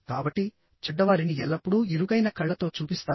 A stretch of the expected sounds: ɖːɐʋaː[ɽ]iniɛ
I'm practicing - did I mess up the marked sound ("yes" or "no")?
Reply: yes